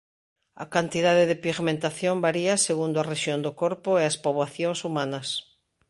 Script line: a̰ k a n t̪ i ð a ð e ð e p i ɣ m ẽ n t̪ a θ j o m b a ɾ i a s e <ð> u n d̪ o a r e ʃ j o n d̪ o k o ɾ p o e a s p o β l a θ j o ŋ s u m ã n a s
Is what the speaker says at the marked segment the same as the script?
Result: no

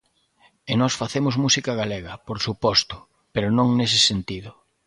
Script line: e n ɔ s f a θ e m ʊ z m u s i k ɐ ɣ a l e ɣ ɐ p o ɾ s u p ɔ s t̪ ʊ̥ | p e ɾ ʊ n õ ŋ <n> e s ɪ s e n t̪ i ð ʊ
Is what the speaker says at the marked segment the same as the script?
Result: yes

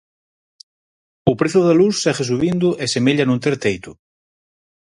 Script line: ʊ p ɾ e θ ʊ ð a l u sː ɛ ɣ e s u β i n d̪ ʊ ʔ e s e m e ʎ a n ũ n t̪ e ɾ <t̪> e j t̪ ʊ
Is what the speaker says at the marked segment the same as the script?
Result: yes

